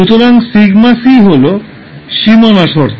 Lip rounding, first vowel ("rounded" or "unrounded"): rounded